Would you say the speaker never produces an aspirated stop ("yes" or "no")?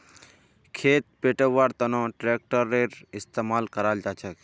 no